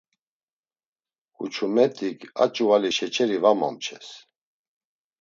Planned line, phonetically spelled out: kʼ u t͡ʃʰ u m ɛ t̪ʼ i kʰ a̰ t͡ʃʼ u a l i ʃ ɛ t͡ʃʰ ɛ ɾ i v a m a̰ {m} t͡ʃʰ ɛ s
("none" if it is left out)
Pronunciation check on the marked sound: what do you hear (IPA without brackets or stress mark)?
m